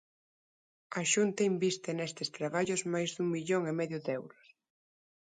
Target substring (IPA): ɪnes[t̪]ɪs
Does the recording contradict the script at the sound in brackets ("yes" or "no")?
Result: no